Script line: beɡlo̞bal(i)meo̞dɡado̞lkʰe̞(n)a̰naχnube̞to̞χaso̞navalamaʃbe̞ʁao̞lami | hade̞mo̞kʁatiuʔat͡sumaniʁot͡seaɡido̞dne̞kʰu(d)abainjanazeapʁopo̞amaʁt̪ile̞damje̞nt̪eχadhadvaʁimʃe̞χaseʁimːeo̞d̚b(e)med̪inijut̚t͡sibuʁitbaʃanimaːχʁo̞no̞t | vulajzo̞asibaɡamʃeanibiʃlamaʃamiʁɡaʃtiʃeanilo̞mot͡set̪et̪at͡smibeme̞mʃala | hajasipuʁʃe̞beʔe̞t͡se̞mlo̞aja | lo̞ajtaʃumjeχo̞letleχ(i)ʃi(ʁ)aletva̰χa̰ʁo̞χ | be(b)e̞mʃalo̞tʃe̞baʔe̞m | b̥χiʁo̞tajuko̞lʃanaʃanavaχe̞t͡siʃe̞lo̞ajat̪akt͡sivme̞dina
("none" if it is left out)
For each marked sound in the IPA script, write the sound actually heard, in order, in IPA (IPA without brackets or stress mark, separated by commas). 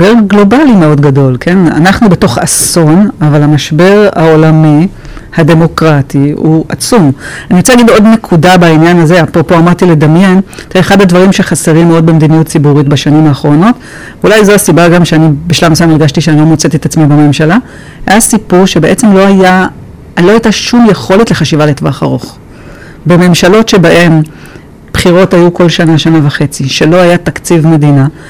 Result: i, n, d, e, a, v, m